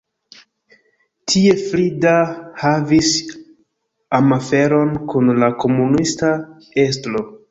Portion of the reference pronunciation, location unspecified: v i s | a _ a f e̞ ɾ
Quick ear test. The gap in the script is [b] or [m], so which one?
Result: m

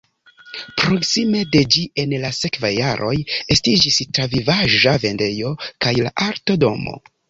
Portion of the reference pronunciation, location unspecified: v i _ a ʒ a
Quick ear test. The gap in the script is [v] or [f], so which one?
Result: v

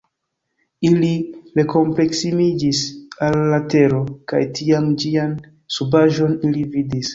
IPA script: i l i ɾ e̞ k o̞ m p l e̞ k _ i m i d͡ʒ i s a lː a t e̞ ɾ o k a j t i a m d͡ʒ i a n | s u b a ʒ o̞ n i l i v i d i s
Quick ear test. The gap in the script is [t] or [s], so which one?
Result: s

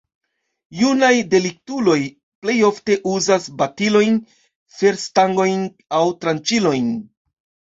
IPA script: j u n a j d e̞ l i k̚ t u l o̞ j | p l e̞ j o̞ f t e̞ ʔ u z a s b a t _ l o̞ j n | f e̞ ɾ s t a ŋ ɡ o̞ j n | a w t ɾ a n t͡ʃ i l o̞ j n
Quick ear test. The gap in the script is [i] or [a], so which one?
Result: i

